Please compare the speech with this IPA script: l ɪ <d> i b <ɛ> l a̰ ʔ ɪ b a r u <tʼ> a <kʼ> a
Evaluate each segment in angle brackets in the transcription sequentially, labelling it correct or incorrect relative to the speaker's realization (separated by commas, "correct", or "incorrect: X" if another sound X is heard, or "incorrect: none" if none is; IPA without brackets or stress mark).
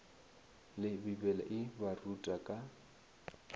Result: incorrect: b, correct, correct, correct